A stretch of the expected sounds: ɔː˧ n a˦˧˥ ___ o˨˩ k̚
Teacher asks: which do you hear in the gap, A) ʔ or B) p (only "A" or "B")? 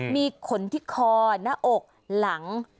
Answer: A